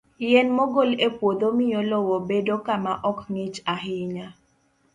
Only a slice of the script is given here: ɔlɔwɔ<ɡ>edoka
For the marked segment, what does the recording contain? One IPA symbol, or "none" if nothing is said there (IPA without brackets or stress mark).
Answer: b